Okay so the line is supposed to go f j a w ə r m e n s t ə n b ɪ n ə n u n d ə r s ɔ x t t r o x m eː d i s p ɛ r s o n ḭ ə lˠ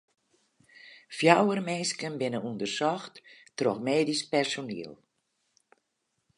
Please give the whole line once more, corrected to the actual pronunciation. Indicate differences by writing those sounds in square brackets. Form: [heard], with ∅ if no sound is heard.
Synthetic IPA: f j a w ə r m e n s [k] ə n b ɪ n ə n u n d ə r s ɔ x t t r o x m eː d i s p ɛ r s o n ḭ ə lˠ